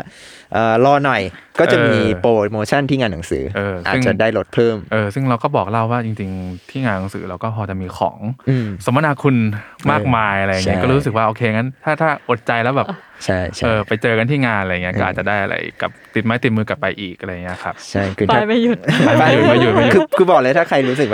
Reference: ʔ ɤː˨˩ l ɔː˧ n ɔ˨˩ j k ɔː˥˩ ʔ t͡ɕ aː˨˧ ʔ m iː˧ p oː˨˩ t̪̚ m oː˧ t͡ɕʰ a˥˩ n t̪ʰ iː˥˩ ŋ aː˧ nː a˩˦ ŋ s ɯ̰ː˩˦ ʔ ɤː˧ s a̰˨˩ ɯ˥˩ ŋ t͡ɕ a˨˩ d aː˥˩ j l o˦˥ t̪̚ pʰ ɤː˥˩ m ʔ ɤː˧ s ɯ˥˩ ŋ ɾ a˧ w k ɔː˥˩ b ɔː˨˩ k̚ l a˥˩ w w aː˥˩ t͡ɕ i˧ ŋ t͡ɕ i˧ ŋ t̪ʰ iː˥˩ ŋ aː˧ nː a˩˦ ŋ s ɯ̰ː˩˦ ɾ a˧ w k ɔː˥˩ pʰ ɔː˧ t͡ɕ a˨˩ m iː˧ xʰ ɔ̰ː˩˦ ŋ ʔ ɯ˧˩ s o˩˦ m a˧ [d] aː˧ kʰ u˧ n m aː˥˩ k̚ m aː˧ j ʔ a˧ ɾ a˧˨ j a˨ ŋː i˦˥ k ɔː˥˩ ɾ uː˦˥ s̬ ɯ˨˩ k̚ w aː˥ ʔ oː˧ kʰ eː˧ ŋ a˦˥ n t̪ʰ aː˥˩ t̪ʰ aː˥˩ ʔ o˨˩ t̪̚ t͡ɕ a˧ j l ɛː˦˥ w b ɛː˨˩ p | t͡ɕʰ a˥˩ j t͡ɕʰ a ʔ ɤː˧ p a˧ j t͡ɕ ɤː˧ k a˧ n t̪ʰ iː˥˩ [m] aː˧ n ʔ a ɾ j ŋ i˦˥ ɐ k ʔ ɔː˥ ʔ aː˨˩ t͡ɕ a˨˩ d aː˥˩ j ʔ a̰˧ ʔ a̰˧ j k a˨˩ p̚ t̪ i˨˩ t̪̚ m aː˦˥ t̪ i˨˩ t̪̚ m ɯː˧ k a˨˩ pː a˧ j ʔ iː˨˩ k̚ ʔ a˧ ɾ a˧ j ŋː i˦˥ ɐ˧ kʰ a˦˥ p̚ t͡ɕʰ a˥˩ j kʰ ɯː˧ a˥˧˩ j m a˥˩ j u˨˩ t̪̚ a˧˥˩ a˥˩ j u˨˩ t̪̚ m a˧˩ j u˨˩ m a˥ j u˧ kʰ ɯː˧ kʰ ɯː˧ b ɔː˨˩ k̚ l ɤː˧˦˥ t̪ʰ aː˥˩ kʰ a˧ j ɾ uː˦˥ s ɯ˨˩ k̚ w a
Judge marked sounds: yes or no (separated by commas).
no, no